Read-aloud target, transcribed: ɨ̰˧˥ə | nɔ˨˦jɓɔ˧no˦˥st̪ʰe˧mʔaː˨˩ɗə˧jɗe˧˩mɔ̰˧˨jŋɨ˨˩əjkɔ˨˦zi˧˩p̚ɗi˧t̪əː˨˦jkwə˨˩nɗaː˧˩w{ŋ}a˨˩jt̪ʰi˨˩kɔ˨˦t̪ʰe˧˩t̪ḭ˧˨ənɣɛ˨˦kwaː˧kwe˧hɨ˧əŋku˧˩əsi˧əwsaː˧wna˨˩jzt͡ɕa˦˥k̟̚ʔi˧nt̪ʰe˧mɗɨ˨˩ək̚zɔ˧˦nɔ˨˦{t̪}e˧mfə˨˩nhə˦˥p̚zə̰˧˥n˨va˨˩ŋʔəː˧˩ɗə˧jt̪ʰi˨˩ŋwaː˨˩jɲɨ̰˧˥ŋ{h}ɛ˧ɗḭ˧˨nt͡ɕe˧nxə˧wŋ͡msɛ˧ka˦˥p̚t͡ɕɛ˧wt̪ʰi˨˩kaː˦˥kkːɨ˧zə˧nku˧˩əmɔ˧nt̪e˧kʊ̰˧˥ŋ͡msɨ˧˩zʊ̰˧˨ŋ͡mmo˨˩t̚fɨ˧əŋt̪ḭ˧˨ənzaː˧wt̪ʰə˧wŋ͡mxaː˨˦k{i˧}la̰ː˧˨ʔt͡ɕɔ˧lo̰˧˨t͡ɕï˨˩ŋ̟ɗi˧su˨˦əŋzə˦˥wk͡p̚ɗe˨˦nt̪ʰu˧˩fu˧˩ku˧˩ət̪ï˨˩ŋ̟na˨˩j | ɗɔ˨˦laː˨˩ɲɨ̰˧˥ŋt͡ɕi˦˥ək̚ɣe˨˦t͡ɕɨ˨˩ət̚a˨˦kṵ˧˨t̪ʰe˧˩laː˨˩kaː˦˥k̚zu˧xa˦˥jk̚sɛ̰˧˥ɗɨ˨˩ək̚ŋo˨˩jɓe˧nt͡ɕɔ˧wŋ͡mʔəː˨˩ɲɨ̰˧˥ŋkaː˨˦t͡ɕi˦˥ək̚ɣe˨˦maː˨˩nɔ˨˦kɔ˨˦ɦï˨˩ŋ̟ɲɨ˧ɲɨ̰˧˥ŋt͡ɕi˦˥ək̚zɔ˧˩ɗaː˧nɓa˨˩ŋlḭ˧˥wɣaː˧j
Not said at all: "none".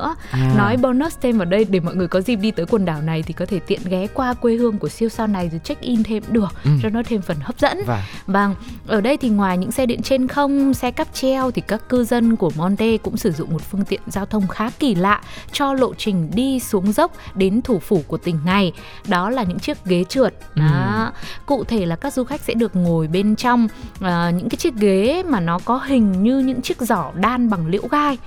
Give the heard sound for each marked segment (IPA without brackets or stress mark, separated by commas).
n, t̪ʰ, s, i˧˩